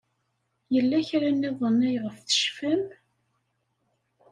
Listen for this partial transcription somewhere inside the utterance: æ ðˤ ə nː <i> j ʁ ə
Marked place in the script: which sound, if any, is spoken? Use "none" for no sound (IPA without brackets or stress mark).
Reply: æ